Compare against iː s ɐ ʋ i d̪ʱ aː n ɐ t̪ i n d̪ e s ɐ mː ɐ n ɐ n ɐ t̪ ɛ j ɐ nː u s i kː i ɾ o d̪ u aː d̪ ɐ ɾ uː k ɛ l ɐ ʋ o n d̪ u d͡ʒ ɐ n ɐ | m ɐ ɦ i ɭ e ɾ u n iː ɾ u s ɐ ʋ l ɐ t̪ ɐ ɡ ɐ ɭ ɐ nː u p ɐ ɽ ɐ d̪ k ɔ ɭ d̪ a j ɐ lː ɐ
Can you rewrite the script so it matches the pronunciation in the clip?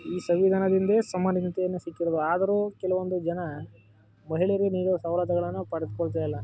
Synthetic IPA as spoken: iː s ɐ ʋ i d̪ʱ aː n ɐ d̪ i n d̪ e s ɐ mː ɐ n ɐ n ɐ t̪ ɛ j ɐ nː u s i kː i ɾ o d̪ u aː d̪ ɐ ɾ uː k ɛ l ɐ ʋ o n d̪ u d͡ʒ ɐ n ɐ | m ɐ ɦ i ɭ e ɾ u n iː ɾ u s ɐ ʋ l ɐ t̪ ɐ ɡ ɐ ɭ ɐ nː u p ɐ ɽ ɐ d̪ k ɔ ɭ t̪ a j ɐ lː ɐ

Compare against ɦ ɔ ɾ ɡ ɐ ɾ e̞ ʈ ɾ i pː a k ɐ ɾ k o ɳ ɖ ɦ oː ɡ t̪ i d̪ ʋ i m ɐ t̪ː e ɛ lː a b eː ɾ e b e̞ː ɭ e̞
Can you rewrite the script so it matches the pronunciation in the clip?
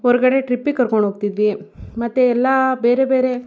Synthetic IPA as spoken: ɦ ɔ ɾ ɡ ɐ ɽ e̞ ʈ ɾ i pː i k ɐ ɾ k o ɳ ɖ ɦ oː ɡ t̪ i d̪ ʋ i m ɐ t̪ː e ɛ lː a b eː ɾ e b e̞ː ɾ e̞

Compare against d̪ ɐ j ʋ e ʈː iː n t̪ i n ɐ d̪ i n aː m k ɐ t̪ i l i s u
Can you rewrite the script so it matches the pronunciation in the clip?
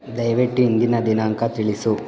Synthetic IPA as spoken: d̪ ɐ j ʋ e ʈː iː n d̪ i n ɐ d̪ i n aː ŋ k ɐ t̪ i ɭ i s u

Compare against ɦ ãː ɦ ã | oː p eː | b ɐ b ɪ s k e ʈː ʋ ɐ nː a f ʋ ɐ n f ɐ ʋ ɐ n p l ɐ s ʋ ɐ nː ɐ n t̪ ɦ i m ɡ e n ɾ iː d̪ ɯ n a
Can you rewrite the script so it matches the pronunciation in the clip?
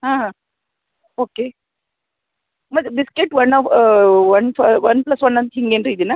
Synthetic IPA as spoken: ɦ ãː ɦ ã | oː k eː | m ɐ b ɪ s k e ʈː ʋ ɐ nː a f ʋ ɐ n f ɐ ʋ ɐ n p l ɐ s ʋ ɐ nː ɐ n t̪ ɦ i ŋ ɡ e n ɾ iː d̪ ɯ n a

